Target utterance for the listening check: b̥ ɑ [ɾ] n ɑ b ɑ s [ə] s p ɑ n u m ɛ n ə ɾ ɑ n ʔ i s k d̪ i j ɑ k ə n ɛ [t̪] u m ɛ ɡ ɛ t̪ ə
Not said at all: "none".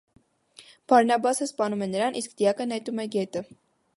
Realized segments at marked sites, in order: ɾ, ə, t̪

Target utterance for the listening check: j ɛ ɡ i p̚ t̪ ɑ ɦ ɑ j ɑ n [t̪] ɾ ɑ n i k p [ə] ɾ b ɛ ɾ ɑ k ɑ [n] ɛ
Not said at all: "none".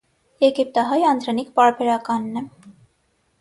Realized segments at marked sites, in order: d̪, ɑ, nː

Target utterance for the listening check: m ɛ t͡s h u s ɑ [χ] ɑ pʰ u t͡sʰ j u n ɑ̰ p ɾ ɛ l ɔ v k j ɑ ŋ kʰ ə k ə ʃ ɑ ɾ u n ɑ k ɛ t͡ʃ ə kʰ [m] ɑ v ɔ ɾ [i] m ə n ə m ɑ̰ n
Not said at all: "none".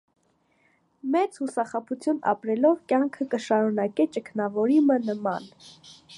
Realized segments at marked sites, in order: χ, n, i

